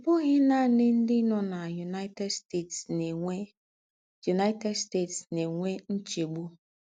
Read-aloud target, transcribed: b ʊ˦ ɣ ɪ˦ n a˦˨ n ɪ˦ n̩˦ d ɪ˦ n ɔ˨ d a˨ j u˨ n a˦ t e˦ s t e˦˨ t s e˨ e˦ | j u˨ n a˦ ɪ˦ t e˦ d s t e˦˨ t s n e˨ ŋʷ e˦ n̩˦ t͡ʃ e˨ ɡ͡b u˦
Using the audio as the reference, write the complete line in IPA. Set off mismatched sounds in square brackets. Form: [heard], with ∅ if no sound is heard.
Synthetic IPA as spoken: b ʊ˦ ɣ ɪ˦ n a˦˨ n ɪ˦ n̩˦ d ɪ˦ n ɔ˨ [n] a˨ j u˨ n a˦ t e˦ s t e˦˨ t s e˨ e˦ | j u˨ n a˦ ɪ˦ t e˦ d s t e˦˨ t s n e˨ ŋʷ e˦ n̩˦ t͡ʃ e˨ ɡ͡b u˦